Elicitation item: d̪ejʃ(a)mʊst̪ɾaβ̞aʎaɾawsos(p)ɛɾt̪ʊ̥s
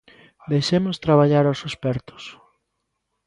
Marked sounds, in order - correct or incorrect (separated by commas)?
incorrect, correct